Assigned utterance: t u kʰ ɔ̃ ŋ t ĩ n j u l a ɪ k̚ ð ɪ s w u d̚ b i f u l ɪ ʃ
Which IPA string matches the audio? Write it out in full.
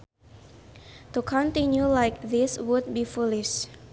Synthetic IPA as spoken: t u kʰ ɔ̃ n t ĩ n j u l a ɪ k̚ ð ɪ s w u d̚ b i f u l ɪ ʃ